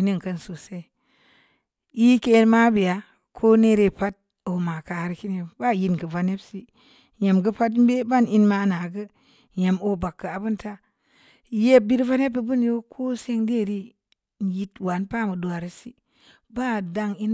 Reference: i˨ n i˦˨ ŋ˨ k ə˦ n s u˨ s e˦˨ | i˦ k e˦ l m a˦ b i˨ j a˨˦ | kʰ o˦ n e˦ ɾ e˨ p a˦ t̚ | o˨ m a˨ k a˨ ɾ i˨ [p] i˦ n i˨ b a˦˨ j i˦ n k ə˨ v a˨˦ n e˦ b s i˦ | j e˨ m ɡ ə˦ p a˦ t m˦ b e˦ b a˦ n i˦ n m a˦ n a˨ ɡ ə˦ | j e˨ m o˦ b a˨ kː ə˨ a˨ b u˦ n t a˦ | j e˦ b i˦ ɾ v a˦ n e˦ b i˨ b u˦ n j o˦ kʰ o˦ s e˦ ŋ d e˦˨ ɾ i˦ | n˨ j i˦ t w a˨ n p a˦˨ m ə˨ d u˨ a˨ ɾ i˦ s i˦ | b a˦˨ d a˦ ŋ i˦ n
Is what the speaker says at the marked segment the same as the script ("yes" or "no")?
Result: no